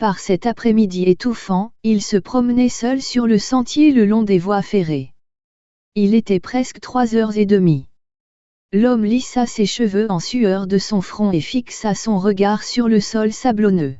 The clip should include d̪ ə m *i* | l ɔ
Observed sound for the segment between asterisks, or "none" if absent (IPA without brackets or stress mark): i